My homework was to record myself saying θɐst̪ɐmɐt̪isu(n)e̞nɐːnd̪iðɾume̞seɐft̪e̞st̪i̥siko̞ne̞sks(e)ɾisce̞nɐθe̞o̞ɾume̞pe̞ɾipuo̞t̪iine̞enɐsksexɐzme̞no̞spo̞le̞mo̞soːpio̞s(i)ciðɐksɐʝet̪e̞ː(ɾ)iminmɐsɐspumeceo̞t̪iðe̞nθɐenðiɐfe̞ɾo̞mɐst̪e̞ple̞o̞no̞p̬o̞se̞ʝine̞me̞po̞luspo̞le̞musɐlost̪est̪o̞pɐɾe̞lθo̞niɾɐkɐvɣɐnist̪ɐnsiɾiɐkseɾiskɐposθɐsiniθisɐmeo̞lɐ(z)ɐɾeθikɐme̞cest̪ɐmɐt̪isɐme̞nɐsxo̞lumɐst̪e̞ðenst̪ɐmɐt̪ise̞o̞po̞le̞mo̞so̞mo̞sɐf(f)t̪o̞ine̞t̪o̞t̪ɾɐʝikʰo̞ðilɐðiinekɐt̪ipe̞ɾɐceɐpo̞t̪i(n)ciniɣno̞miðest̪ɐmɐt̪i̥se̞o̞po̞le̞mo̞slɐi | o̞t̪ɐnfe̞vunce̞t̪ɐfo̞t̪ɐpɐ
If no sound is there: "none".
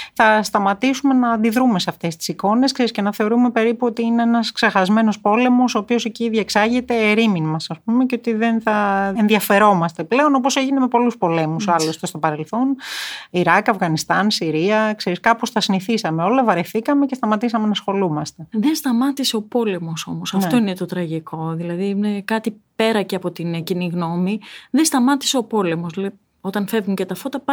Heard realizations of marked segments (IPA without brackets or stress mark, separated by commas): m, e, e, ɾ, v, f, n